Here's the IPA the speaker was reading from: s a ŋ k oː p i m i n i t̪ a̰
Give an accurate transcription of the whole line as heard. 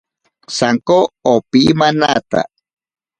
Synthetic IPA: s a ŋ k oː p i m a n a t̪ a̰